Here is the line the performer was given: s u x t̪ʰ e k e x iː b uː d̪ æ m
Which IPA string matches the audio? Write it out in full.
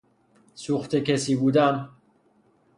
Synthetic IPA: s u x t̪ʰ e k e s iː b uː d̪ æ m